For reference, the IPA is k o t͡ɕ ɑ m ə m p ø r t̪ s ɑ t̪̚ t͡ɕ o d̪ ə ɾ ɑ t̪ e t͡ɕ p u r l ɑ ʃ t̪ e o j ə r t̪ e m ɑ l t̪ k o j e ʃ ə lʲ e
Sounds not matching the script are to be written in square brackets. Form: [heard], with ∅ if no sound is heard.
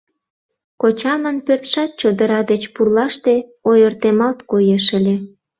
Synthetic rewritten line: k o t͡ɕ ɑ m ə [n] p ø r t̪ [ʃ] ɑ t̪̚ t͡ɕ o d̪ ə ɾ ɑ [d̪] e t͡ɕ p u r l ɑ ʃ t̪ e o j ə r t̪ e m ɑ l t̪ k o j e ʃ ə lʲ e